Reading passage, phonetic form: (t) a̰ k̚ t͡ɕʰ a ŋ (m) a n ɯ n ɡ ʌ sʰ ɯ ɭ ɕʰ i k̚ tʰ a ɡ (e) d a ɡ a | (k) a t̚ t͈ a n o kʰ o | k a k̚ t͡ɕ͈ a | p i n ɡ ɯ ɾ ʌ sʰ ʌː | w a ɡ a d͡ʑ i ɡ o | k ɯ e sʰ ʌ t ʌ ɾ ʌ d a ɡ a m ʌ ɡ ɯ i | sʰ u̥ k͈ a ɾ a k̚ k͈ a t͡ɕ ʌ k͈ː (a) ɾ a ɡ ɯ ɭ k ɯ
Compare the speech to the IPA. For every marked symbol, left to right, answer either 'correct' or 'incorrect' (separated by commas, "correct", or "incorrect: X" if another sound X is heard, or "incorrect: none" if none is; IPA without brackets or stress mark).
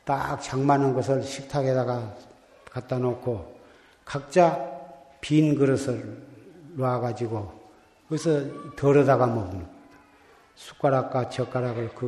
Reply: correct, correct, correct, correct, correct